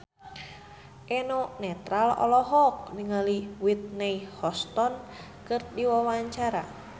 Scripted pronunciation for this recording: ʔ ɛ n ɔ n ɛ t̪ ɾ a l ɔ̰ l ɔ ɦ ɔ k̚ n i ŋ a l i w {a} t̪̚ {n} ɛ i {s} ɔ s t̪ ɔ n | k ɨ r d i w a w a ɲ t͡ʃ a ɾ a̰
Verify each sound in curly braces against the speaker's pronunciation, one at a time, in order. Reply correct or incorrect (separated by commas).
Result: incorrect, correct, incorrect